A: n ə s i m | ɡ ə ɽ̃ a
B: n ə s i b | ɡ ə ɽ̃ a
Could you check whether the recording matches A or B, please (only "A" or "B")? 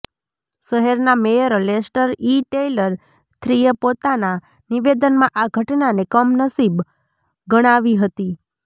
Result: B